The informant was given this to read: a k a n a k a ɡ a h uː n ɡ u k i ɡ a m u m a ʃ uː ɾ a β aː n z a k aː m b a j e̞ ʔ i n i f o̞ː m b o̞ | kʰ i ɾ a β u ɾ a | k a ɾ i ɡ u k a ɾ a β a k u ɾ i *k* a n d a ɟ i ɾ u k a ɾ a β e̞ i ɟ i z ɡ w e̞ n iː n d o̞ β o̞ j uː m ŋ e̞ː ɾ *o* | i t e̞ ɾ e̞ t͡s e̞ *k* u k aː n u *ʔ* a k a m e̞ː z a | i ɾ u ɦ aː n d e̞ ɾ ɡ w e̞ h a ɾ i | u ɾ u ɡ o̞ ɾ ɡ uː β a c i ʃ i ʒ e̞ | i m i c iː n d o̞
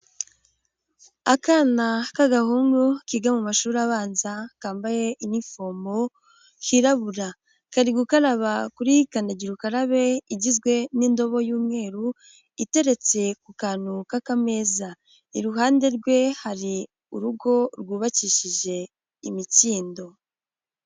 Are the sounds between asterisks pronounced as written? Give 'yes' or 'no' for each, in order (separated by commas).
yes, no, yes, no